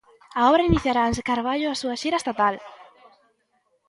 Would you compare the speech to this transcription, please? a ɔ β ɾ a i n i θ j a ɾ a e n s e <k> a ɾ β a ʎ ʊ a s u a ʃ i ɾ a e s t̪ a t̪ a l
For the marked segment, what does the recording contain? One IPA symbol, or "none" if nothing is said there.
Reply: k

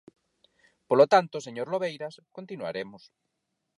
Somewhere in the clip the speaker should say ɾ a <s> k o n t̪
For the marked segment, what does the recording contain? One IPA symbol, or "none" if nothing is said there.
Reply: s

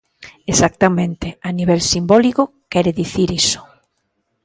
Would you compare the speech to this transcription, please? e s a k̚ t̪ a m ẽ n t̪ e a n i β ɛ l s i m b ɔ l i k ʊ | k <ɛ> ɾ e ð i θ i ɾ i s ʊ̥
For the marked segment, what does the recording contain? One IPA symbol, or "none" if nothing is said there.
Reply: ɛ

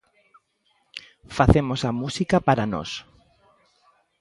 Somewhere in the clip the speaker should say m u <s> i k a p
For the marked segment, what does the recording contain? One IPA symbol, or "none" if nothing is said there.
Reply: s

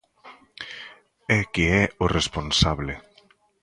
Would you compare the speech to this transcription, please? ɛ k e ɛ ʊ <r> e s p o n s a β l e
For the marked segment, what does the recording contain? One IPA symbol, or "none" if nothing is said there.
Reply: r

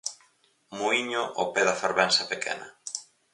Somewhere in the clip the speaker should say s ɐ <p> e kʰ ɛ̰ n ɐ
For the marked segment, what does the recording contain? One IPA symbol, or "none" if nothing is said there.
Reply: p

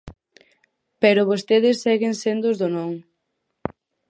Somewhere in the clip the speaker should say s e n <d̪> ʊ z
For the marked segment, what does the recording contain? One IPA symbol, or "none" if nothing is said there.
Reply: d̪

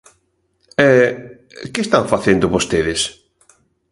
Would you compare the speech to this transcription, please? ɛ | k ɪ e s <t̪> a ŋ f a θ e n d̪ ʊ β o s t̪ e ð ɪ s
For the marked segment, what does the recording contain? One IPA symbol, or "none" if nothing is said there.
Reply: t̪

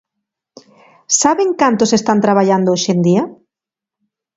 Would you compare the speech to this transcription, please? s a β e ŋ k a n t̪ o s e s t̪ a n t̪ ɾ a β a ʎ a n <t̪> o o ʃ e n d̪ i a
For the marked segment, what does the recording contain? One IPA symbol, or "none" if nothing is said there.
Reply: d̪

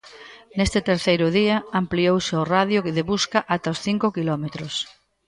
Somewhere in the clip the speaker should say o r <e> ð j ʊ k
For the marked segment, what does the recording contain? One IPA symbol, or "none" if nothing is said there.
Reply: a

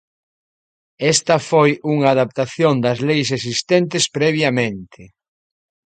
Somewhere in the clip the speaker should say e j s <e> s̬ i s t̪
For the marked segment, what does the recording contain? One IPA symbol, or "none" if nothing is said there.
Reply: e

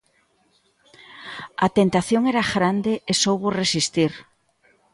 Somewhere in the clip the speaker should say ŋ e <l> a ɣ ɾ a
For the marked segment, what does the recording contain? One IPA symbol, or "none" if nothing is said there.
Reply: ɾ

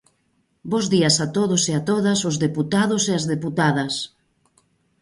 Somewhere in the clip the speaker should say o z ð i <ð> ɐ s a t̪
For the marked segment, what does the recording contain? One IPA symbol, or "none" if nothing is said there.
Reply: none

